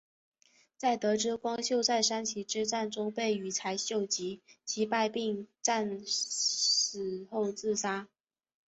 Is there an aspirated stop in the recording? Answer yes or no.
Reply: yes